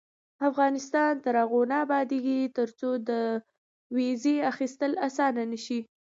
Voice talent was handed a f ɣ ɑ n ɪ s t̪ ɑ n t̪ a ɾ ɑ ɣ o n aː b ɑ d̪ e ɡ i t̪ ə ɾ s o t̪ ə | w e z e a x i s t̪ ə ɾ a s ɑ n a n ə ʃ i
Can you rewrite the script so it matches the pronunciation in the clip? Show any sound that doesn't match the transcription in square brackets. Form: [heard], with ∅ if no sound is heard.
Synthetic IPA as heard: a f ɣ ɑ n ɪ s t̪ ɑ n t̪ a ɾ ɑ ɣ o n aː b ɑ d̪ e ɡ i t̪ ə ɾ [t͡s] o [d̪] ə | w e z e a x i s t̪ ə [l] a s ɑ n a n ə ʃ i